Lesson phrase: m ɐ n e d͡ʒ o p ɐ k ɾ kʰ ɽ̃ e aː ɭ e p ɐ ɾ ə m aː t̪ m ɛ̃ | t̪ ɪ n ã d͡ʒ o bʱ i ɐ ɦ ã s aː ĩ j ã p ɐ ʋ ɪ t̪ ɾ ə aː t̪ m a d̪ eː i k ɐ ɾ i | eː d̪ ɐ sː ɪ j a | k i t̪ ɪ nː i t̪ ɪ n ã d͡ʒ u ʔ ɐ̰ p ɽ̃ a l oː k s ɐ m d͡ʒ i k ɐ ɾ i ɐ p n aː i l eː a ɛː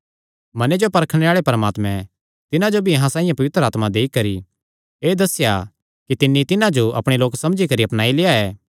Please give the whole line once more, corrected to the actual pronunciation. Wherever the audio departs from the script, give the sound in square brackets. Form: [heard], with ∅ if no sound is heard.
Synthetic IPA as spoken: m ɐ n e d͡ʒ o p ɐ [∅] ɾ kʰ ɽ̃ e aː ɭ e p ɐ ɾ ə m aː t̪ m ɛ̃ | t̪ ɪ n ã d͡ʒ o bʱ i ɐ ɦ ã s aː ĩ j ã p ɐ ʋ ɪ t̪ ɾ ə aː t̪ m a d̪ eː i k ɐ ɾ i | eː d̪ ɐ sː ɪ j a | k i t̪ ɪ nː i t̪ ɪ n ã d͡ʒ [o] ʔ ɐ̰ p ɽ̃ [e] l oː k s ɐ m d͡ʒ i k ɐ ɾ i ɐ p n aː i l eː a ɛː